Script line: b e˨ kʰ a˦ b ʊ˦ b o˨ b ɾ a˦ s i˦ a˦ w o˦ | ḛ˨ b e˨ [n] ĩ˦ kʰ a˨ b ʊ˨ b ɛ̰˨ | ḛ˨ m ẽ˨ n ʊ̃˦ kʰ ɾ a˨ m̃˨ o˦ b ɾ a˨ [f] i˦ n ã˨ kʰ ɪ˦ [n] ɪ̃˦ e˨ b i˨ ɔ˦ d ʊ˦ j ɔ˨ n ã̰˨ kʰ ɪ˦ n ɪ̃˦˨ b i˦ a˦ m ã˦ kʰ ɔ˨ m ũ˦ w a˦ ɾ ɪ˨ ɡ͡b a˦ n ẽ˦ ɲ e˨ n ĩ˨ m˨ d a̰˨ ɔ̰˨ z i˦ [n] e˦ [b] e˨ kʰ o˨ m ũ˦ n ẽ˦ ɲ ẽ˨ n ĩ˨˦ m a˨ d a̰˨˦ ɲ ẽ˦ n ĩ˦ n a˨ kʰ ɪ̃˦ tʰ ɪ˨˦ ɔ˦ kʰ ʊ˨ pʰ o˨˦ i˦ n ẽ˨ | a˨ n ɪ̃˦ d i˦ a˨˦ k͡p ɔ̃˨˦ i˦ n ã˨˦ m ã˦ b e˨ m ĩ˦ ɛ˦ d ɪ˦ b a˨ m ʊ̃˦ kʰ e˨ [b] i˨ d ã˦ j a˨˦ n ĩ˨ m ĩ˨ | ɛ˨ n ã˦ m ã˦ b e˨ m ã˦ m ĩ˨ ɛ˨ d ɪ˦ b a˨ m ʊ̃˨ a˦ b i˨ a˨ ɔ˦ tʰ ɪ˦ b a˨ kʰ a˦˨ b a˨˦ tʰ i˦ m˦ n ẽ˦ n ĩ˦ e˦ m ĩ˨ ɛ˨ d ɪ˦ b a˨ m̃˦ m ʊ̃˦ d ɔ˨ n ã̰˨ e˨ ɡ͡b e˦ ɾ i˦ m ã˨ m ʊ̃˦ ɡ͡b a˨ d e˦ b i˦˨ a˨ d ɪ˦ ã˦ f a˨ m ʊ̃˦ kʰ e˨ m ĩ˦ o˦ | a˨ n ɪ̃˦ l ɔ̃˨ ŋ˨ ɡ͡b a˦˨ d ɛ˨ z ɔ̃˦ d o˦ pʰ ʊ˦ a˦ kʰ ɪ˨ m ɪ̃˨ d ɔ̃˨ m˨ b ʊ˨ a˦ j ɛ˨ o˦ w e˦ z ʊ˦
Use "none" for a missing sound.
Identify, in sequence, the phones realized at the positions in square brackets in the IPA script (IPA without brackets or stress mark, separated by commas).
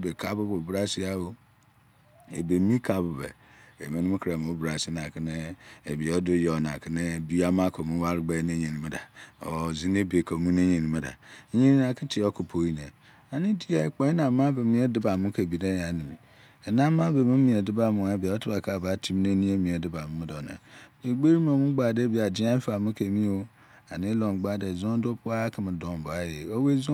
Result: m, s, n, n, b, b